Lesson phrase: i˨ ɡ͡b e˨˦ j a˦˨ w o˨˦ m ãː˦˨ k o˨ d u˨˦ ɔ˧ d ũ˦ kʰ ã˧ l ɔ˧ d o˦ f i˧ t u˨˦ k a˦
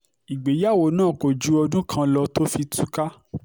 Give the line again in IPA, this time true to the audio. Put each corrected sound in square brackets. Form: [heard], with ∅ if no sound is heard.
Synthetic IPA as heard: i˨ ɡ͡b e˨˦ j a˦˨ w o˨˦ [n] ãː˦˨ k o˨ [d͡ʒ] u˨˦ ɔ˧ d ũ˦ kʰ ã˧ l ɔ˧ [t] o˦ f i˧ t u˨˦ k a˦